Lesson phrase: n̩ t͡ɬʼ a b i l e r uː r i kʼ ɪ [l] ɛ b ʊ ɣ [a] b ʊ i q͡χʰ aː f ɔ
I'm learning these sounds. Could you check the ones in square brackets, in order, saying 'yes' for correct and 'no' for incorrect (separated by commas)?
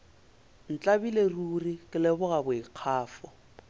yes, yes